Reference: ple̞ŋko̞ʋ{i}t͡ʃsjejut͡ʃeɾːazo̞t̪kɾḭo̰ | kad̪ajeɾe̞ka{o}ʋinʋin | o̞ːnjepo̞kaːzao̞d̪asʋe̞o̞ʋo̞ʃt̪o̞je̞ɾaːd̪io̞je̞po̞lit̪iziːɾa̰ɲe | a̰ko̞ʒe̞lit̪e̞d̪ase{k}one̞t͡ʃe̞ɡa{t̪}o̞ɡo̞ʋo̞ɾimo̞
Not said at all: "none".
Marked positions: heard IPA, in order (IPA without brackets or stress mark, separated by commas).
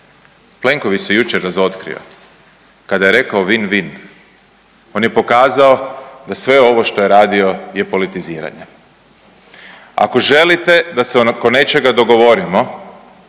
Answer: i, o, k, d̪